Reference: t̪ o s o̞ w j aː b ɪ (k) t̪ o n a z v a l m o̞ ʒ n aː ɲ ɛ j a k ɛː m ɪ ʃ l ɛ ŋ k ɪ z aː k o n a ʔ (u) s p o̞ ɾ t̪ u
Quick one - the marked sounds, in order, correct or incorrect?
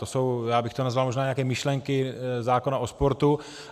incorrect: x, incorrect: o

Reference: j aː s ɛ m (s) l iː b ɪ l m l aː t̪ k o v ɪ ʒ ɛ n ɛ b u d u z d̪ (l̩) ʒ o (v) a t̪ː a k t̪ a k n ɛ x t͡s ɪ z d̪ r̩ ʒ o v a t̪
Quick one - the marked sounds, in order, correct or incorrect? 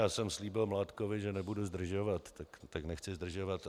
correct, incorrect: r̩, correct

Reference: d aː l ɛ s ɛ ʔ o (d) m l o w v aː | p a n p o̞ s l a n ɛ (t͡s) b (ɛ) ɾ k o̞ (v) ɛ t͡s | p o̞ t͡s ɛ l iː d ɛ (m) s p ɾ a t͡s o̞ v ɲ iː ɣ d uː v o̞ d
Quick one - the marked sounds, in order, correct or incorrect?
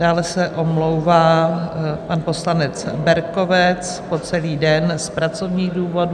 incorrect: none, correct, correct, correct, incorrect: n

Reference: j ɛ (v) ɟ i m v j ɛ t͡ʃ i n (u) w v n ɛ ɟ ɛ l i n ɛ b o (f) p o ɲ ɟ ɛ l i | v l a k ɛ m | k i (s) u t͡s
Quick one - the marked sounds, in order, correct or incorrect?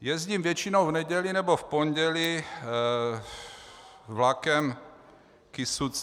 incorrect: z, incorrect: o, correct, correct

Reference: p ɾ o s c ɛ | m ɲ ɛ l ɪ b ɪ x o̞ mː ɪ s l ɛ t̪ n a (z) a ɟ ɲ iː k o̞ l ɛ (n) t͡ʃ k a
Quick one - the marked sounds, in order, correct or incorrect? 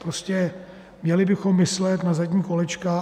correct, incorrect: none

